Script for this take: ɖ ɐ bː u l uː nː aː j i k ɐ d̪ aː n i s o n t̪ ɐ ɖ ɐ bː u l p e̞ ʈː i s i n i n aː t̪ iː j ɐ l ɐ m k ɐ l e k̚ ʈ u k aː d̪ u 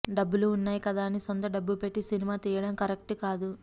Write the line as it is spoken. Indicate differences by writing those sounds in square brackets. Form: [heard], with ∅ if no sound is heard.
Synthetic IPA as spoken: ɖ ɐ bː u l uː nː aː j i k ɐ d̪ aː n i s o n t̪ ɐ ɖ ɐ bː u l p e̞ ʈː i s i n i [m] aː t̪ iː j ɐ [ɽ] ɐ m k ɐ [ɾ] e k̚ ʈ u k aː d̪ u